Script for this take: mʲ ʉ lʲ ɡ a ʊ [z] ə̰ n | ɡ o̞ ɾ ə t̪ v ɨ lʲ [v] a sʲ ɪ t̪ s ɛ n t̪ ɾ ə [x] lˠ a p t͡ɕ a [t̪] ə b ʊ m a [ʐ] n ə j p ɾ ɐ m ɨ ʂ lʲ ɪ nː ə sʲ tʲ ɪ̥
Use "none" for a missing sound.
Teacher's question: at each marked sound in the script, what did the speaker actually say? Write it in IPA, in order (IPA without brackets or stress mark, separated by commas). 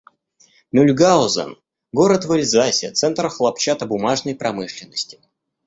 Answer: z, z, x, t̪, ʐ